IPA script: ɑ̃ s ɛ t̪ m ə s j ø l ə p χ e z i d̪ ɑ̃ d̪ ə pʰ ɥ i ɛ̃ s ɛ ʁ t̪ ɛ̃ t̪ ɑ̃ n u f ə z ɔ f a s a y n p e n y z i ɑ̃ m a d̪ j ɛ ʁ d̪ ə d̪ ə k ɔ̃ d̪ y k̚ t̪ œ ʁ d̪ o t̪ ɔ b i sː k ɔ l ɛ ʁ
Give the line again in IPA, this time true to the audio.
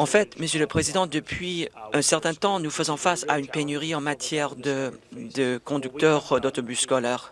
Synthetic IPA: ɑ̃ f ɛ t̪ m ə s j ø l ə p χ e z i d̪ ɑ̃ d̪ ə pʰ ɥ i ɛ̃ s ɛ ʁ t̪ ɛ̃ t̪ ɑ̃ n u f ə z ɔ̃ f a s a y n p e n y ʁ i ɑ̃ m a t̪ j ɛ ʁ d̪ ə d̪ ə k ɔ̃ d̪ y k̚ t̪ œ ʁ d̪ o t̪ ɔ b y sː k ɔ l ɛ ʁ

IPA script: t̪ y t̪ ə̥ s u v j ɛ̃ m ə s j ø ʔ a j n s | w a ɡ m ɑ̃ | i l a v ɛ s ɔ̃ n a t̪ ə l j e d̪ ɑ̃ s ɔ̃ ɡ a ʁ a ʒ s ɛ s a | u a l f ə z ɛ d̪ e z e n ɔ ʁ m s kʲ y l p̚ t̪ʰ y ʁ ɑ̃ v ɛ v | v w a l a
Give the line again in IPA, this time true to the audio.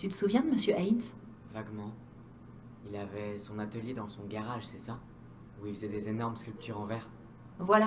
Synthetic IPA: t̪ y t̪ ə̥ s u v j ɛ̃ m ə s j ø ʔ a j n s | v a ɡ m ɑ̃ | i l a v ɛ s ɔ̃ n a t̪ ə l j e d̪ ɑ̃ s ɔ̃ ɡ a ʁ a ʒ s ɛ s a | u i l f ə z ɛ d̪ e z e n ɔ ʁ m s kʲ y l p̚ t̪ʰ y ʁ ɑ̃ v ɛ ʁ | v w a l a

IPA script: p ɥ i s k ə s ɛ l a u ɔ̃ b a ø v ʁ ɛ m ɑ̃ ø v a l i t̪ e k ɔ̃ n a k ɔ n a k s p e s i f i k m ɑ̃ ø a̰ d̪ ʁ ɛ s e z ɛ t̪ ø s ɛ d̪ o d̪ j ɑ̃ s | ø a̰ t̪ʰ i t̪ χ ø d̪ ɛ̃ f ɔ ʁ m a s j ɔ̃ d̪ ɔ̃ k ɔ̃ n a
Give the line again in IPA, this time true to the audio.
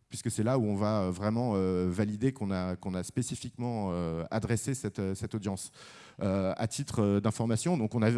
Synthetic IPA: p ɥ i s k ə s ɛ l a u ɔ̃ v a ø v ʁ ɛ m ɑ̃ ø v a l i d̪ e k ɔ̃ n a k ɔ̃ n a s p e s i f i k m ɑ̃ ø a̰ d̪ ʁ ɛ s e s ɛ t̪ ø s ɛ t̪ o d̪ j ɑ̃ s | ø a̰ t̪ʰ i t̪ χ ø d̪ ɛ̃ f ɔ ʁ m a s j ɔ̃ d̪ ɔ̃ k ɔ̃ n a

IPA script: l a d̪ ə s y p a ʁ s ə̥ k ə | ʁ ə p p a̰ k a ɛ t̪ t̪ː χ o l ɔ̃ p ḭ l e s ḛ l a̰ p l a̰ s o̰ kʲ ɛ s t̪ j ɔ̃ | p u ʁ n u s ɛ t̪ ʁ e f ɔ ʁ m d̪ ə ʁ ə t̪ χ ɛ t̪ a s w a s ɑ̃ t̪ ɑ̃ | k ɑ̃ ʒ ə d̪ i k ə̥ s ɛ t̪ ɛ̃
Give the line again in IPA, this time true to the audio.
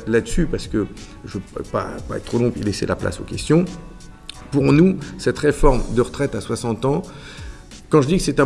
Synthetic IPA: l a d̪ ə s y p a ʁ s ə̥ k ə | ʒ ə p p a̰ p a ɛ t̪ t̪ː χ o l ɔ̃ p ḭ l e s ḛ l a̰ p l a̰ s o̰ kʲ ɛ s t̪ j ɔ̃ | p u ʁ n u s ɛ t̪ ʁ e f ɔ ʁ m d̪ ə ʁ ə t̪ χ ɛ t̪ a s w a s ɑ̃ t̪ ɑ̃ | k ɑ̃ ʒ ə d̪ i k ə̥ s ɛ t̪ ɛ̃

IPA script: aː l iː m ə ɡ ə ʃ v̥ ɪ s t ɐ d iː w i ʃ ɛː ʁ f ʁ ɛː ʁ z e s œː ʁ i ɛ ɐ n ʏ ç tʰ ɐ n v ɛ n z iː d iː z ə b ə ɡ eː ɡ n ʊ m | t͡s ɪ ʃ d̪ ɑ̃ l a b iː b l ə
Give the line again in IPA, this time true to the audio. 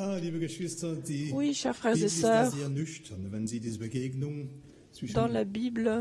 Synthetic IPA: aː l iː b ə ɡ ə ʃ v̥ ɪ s t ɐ d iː w i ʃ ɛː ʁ f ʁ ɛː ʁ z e s œː ʁ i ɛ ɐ n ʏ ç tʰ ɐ n v ɛ n z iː d iː z ə b ə ɡ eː ɡ n ʊ ŋ | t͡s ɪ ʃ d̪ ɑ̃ l a b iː b l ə

